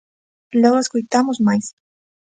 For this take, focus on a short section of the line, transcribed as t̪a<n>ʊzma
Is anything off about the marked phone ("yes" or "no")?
yes